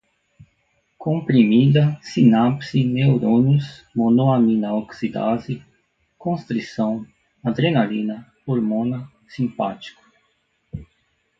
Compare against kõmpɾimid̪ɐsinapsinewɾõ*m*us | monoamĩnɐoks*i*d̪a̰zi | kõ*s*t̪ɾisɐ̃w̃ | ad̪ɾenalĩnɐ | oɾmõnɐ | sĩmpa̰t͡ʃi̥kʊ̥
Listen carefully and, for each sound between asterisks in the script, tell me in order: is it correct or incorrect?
incorrect: n, correct, correct

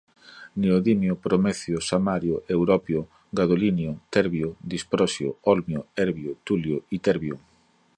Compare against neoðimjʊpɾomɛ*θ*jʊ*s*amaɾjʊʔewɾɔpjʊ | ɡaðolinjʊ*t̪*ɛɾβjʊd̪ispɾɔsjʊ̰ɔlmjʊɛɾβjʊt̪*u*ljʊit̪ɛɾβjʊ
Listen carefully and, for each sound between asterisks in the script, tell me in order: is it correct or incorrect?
correct, correct, correct, correct

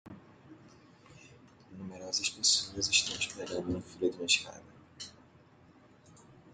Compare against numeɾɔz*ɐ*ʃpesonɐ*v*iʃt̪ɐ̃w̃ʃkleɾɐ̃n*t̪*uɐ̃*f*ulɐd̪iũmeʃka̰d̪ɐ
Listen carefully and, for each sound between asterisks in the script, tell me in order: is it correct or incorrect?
correct, incorrect: z, incorrect: d̪, correct

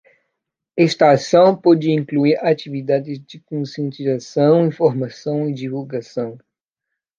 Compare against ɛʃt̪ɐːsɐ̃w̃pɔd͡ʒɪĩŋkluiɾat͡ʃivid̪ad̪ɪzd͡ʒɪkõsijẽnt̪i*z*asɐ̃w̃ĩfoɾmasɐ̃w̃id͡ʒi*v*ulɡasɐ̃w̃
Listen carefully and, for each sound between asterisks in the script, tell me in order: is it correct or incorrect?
correct, correct

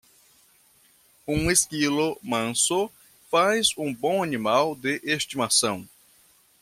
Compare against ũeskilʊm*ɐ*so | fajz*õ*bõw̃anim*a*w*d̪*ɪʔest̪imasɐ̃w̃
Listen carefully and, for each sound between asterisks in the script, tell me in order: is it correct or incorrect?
incorrect: ɐ̃, incorrect: ũ, correct, correct

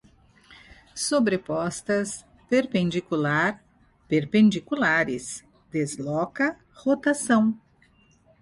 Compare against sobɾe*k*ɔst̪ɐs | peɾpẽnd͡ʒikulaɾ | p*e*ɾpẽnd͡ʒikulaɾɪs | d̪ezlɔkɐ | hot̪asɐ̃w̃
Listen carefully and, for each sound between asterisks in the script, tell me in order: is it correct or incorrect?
incorrect: p, correct

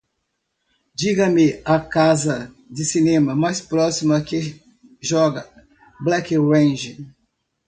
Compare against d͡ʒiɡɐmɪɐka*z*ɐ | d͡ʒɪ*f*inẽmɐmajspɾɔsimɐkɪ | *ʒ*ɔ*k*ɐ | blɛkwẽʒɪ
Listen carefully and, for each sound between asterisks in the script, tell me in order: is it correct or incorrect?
correct, incorrect: s, correct, incorrect: ɡ

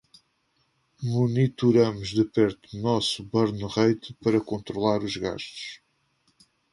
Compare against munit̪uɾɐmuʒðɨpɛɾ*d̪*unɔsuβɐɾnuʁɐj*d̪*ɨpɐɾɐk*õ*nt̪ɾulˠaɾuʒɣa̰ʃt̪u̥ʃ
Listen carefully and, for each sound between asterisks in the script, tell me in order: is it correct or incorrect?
incorrect: t̪, incorrect: t̪, correct

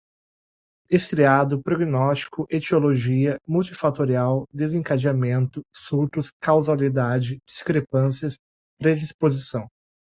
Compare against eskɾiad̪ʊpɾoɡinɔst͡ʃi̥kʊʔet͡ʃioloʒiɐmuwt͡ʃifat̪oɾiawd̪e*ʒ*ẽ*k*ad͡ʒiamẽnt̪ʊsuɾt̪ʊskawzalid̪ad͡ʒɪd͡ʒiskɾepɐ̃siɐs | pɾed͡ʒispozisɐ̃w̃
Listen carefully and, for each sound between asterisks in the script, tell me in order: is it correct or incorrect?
incorrect: z, correct

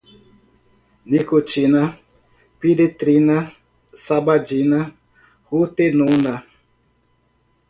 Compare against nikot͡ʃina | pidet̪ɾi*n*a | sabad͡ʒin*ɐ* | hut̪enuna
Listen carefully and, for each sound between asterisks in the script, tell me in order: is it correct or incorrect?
correct, incorrect: a

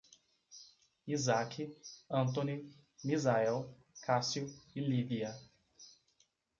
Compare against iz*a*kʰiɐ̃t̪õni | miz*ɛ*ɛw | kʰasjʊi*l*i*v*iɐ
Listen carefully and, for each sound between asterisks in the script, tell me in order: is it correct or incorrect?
correct, incorrect: a, correct, correct

